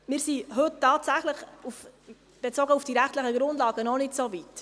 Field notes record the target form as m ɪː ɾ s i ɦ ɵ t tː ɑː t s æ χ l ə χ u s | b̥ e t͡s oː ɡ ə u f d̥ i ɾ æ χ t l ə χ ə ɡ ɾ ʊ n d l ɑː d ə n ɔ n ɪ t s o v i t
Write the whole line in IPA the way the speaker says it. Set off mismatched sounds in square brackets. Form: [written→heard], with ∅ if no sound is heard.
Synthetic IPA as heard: m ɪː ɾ s i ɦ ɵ t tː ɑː t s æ χ l ə χ u [s→f] | b̥ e t͡s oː ɡ ə u f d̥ i ɾ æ χ t l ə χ ə ɡ ɾ ʊ n d l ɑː [d→ɡ] ə n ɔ n ɪ t s o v i t